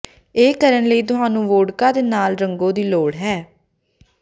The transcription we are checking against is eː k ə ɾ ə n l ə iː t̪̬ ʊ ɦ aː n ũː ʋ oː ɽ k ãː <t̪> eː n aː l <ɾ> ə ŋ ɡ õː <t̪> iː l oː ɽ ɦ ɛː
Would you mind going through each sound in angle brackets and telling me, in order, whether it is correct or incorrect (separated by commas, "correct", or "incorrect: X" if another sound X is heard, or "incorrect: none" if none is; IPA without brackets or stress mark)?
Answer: incorrect: d̪, correct, incorrect: d̪